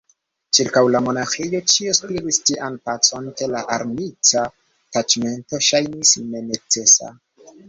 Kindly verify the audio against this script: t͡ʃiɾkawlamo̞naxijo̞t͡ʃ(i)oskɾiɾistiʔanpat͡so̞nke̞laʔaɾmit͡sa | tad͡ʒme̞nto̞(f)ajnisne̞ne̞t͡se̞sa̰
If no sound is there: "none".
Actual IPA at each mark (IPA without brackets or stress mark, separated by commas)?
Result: i, ʃ